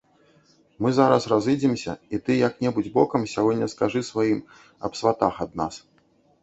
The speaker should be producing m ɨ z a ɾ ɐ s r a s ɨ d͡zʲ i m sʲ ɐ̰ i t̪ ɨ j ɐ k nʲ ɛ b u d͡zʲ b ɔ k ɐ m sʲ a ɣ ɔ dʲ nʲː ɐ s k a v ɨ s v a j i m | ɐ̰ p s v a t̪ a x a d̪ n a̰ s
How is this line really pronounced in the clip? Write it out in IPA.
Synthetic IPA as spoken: m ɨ z a ɾ ɐ s r a z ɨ d͡zʲ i m sʲ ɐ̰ i t̪ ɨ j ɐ k nʲ ɛ b u d͡zʲ b ɔ k ɐ m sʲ a ɣ ɔ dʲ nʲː ɐ s k a ʐ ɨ s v a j i m | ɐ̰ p s v a t̪ a x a d̪ n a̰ s

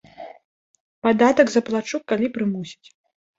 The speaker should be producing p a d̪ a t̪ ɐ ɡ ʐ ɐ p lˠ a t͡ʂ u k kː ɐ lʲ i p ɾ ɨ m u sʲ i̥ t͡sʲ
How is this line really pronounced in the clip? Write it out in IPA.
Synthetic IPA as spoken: p a d̪ a t̪ ɐ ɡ z ɐ p lˠ a t͡ʂ u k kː a lʲ i p ɾ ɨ m u sʲ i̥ t͡sʲ

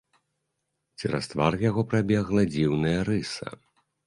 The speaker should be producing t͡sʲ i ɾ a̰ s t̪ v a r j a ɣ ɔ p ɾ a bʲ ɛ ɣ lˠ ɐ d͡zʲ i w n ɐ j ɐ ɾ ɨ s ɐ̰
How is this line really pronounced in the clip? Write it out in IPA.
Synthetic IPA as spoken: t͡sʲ i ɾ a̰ s t̪ v a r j a ɣ ɔ p ɾ a bʲ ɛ ɣ lˠ ɐ d͡zʲ i w n ɐ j ɐ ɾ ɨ s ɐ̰

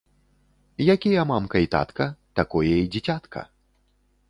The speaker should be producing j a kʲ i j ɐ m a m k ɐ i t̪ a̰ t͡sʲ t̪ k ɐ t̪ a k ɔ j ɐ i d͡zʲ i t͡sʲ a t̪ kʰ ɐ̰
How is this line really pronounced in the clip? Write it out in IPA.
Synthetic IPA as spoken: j a kʲ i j ɐ m a m k ɐ i t̪ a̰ t̪ k ɐ t̪ a k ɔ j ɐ i d͡zʲ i t͡sʲ a t̪ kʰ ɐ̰

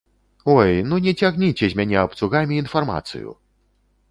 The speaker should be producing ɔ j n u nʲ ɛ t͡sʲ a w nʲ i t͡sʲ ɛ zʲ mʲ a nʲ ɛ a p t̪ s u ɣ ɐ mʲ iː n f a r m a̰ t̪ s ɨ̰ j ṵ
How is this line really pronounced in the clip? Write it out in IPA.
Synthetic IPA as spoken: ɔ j n u nʲ ɛ t͡sʲ a ɣ nʲ i t͡sʲ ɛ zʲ mʲ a nʲ ɛ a p t̪ s u ɣ a mʲ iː n f a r m a̰ t̪ s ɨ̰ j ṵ

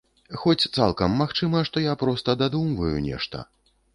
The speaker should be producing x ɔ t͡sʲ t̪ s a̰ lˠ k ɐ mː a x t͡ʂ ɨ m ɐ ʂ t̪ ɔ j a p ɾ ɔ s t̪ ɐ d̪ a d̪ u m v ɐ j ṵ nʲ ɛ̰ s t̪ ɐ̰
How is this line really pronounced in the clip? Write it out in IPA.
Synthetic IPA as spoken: x ɔ t͡sʲ t̪ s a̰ lˠ k ɐ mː a x t͡ʂ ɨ m ɐ ʂ t̪ ɔ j a p ɾ ɔ s t̪ ɐ d̪ a d̪ u m v ɐ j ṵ nʲ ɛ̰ ʂ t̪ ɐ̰

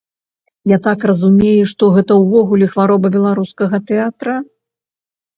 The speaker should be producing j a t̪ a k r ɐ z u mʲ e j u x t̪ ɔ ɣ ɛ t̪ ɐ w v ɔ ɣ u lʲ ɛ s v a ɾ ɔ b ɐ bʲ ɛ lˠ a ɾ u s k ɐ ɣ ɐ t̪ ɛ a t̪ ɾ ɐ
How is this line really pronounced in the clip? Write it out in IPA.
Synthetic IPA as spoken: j a t̪ a k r ɐ z u mʲ e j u ʂ t̪ ɔ ɣ ɛ t̪ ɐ w v ɔ ɣ u lʲ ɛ x v a ɾ ɔ b ɐ bʲ ɛ lˠ a ɾ u s k ɐ ɣ ɐ t̪ ɛ a t̪ ɾ ɐ

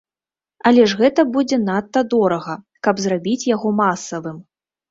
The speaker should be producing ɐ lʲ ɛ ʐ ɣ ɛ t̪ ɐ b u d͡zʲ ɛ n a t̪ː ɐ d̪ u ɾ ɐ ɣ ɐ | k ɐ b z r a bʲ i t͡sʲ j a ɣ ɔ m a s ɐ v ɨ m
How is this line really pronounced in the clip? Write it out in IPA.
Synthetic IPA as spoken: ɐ lʲ ɛ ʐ ɣ ɛ t̪ ɐ b u d͡zʲ ɛ n a t̪ː ɐ d̪ ɔ ɾ ɐ ɣ ɐ | k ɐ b z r a bʲ i t͡sʲ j a ɣ ɔ m a s ɐ v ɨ m

